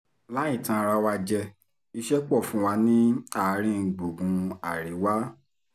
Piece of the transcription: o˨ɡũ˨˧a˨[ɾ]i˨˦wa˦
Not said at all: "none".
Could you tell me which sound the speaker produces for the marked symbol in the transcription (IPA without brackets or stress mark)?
ɾ